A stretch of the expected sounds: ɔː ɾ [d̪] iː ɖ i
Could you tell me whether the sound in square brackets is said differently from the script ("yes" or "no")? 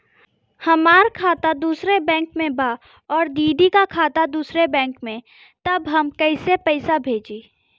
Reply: no